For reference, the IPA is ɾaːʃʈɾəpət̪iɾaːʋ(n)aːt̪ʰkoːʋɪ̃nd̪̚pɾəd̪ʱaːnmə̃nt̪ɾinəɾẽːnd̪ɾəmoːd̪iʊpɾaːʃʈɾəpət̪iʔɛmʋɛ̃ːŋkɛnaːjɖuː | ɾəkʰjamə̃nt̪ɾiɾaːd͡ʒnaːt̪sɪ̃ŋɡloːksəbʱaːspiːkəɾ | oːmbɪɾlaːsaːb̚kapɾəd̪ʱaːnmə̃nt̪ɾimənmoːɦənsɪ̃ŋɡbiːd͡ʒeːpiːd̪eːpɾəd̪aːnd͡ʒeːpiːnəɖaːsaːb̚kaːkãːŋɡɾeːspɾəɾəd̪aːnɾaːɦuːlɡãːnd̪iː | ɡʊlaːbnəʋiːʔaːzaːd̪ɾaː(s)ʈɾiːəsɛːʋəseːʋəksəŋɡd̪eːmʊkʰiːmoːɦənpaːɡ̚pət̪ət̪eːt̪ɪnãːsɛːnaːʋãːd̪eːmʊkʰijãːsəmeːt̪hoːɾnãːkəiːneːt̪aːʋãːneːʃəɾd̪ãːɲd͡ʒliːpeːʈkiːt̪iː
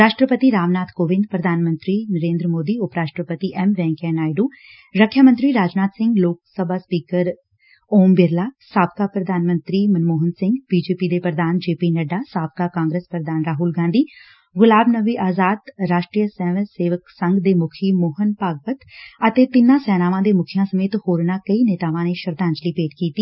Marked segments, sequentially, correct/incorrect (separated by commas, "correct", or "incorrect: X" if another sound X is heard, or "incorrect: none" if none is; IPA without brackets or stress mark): correct, incorrect: ʃ